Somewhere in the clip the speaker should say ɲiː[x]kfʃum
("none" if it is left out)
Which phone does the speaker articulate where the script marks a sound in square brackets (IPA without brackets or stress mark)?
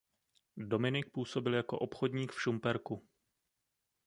none